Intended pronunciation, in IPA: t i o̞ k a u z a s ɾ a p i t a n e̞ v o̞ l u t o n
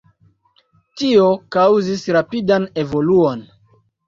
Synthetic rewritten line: t i o̞ k a w z i s ɾ a p i d a n e̞ v o̞ l u o n